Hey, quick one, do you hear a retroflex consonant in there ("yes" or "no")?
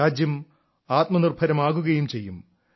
no